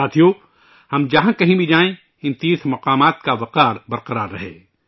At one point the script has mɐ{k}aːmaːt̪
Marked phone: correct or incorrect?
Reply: incorrect